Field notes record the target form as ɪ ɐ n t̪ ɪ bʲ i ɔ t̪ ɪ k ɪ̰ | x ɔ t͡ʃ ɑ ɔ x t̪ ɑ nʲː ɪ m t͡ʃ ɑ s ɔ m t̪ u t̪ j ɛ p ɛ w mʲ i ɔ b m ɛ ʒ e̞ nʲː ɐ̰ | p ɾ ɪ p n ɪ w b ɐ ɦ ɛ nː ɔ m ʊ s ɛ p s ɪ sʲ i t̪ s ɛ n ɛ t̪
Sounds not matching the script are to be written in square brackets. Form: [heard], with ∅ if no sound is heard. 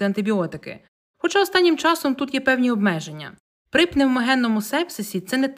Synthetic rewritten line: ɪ ɐ n t̪ ɪ bʲ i ɔ t̪ ɪ k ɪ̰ | x ɔ t͡ʃ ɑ ɔ [s] t̪ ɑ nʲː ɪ m t͡ʃ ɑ s ɔ m t̪ u t̪ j ɛ p ɛ w [nʲ] i ɔ b m ɛ ʒ e̞ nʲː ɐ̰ | p ɾ ɪ p n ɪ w [m] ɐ ɦ ɛ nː ɔ m ʊ s ɛ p s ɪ sʲ i t̪ s ɛ n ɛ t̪